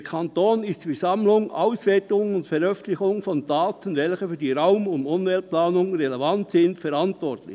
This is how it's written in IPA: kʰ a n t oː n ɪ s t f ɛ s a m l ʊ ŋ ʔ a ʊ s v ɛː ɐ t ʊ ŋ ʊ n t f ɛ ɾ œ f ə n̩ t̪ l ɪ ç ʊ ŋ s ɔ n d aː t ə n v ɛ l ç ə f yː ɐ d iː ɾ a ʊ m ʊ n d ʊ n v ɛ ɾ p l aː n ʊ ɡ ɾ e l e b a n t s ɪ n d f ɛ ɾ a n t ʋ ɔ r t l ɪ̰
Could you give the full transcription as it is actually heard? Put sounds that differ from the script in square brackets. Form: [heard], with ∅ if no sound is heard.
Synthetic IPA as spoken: kʰ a n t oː n ɪ s t f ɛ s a m l ʊ ŋ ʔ a ʊ s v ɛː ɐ t ʊ ŋ ʊ n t f ɛ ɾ œ f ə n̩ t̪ l ɪ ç ʊ ŋ [f] ɔ n d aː t ə n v ɛ l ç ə f yː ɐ d iː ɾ a ʊ m ʊ n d ʊ n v ɛ [l] p l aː n ʊ [ŋ] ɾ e l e [v] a n t s ɪ n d f ɛ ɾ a n t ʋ ɔ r t l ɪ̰